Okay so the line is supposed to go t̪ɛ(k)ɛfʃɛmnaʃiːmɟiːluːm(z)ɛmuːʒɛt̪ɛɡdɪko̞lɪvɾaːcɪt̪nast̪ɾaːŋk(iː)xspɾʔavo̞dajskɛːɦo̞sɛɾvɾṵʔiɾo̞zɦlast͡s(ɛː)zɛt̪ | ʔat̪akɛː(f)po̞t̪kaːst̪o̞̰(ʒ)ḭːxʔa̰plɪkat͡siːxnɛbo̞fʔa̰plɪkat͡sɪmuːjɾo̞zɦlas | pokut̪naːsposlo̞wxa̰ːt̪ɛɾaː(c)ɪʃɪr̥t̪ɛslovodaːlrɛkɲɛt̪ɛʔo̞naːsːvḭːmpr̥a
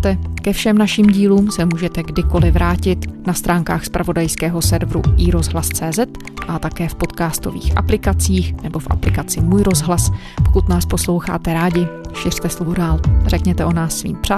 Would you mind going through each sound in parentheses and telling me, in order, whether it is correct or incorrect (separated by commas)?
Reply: correct, incorrect, incorrect, correct, correct, incorrect, incorrect